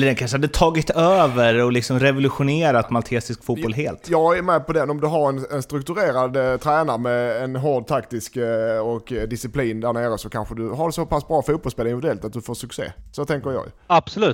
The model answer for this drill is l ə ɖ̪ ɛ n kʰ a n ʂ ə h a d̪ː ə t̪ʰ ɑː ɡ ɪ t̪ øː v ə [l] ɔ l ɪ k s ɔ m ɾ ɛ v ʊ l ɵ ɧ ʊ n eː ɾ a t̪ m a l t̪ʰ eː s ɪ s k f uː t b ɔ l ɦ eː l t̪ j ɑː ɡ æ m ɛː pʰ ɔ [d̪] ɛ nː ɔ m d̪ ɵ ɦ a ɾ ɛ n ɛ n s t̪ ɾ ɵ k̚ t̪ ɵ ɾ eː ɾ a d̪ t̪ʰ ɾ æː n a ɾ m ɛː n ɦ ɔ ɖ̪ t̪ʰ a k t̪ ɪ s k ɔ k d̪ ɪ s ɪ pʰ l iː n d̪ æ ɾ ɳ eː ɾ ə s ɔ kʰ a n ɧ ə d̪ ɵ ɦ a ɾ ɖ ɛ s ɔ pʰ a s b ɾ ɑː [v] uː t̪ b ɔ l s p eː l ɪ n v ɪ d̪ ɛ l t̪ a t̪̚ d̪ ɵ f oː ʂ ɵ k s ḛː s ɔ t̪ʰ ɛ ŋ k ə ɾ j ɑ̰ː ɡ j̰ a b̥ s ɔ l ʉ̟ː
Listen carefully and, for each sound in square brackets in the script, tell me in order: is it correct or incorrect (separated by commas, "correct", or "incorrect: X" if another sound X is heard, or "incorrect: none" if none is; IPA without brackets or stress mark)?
incorrect: ɾ, correct, incorrect: f